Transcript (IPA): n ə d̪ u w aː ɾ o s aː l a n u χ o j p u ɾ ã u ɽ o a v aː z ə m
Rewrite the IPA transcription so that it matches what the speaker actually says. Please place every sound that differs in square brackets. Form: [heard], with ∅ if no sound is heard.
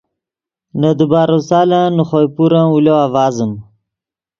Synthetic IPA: n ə d̪ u [b] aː ɾ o s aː l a n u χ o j p u ɾ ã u [l] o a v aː z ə m